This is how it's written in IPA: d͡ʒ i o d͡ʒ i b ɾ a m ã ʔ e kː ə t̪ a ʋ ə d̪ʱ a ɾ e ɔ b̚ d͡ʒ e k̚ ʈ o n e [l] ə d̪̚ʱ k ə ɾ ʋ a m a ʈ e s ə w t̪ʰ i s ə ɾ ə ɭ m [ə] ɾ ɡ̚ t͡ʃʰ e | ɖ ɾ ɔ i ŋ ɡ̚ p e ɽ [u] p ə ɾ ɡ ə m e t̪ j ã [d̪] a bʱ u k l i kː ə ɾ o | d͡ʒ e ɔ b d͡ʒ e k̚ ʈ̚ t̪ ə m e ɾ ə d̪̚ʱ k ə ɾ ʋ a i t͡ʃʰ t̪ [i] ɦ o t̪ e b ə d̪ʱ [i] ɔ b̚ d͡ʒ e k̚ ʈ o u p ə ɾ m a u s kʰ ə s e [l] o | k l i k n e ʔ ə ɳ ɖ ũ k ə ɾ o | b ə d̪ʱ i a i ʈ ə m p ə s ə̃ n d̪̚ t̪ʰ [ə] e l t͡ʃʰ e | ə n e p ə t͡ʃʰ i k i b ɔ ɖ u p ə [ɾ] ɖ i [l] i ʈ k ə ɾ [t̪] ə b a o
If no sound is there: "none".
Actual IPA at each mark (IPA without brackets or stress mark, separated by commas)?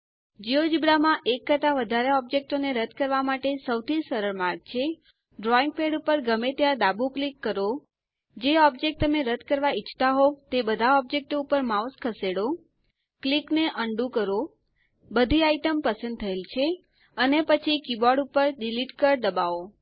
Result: ɾ, a, u, d̪, a, a, ɽ, ə, ɾ, l, d̪